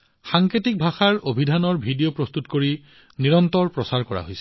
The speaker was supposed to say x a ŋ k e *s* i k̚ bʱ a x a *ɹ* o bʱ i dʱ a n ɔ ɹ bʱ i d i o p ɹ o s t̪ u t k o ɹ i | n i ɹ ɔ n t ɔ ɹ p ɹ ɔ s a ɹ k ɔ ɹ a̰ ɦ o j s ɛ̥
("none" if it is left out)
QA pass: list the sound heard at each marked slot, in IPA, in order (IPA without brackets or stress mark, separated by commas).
t, ɹ